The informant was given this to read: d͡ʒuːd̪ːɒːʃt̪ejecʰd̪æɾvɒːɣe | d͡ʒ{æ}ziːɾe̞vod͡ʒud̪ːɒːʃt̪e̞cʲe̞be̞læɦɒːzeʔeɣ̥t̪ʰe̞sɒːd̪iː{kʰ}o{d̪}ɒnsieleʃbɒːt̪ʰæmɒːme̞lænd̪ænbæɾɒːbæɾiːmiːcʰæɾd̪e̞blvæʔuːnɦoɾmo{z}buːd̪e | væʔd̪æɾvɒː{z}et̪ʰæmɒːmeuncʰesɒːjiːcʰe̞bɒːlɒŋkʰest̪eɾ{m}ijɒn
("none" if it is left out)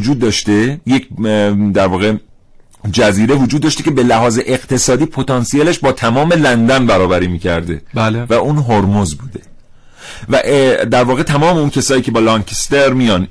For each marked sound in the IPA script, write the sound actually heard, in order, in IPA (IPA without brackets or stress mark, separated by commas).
æ, pʰ, t̪, z, ɣ, m